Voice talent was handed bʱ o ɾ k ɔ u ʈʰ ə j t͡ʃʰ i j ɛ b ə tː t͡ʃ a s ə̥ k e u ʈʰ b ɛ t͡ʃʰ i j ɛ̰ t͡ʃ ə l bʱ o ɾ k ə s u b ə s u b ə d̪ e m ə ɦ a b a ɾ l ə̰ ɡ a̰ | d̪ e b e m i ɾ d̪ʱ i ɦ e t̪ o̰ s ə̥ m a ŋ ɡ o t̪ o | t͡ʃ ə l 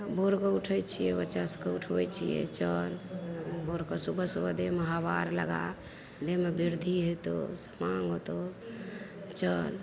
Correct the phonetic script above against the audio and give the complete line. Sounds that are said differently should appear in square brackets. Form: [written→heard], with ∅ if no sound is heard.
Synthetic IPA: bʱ o ɾ k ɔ u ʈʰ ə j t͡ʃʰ i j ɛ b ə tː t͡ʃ a s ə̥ k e u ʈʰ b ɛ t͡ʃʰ i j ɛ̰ t͡ʃ ə l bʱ o ɾ k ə s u b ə s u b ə d̪ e m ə ɦ a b a ɾ l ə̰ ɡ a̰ | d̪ e [b→m] e [m→b] i ɾ d̪ʱ i ɦ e t̪ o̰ s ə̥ m a ŋ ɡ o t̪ o | t͡ʃ ə l